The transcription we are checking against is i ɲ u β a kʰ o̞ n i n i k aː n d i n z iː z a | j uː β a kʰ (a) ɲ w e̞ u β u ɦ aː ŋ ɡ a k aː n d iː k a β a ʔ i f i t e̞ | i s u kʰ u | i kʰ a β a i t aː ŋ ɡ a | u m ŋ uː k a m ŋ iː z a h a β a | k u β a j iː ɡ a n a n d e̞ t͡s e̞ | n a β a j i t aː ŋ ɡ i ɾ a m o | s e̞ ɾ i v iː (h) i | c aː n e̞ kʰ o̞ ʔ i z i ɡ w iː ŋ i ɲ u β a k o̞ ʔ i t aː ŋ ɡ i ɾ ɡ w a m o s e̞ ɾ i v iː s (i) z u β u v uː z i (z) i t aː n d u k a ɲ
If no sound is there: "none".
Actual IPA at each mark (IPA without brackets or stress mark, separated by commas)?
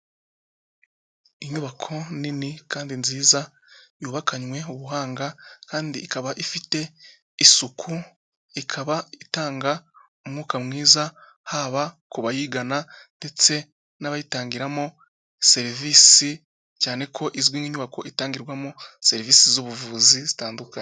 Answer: a, s, i, z